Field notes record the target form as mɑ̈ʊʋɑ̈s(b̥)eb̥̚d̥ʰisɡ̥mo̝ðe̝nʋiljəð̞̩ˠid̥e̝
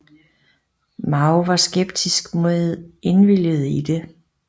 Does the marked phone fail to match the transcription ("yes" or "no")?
yes